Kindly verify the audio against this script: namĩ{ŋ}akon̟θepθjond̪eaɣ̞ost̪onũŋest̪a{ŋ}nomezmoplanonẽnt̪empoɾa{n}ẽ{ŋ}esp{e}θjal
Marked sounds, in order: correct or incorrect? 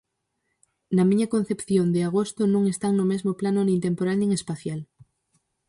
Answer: incorrect, correct, correct, correct, incorrect

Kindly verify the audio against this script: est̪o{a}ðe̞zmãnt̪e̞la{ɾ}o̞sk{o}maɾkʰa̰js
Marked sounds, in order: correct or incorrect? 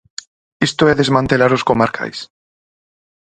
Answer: incorrect, correct, correct

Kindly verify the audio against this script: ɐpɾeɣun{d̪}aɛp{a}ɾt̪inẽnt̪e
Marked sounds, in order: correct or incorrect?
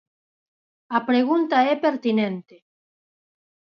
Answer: incorrect, incorrect

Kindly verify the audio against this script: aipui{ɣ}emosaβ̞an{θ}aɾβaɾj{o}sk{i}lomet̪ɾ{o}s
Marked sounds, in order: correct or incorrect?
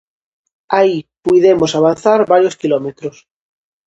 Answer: incorrect, correct, correct, correct, correct

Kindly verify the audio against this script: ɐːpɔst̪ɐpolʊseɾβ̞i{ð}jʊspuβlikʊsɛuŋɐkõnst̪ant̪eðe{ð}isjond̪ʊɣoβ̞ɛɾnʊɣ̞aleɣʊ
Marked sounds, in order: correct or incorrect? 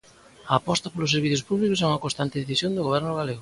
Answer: incorrect, incorrect

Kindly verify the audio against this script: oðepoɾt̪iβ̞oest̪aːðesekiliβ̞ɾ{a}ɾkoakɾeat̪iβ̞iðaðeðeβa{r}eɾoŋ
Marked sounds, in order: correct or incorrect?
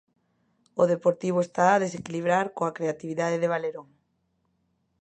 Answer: correct, incorrect

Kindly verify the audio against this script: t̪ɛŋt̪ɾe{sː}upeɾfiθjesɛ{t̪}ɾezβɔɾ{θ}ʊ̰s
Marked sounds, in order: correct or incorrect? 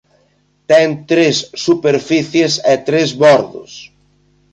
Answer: correct, correct, incorrect

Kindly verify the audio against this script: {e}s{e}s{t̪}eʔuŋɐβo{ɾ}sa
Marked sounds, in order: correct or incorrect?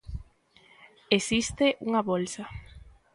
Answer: correct, incorrect, correct, incorrect

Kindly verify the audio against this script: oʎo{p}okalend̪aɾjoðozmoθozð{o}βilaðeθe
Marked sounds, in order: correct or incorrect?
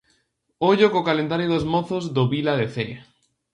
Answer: incorrect, correct

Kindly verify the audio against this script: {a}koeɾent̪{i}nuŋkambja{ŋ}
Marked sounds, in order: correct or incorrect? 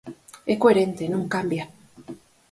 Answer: incorrect, incorrect, incorrect

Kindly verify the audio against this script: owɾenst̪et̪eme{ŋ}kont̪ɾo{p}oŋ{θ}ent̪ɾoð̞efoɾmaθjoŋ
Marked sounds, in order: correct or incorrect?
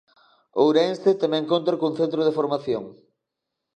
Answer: correct, incorrect, correct

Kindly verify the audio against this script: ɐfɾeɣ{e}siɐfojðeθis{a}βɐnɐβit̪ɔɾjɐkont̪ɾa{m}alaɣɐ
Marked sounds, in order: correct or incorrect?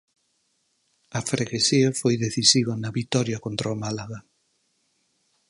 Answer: correct, incorrect, correct

